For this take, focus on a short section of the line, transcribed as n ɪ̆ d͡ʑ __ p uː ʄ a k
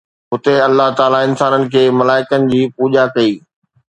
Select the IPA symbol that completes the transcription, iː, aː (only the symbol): iː